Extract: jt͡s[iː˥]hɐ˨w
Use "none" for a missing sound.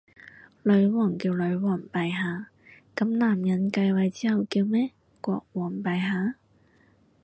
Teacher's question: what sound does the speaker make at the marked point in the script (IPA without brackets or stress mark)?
iː˥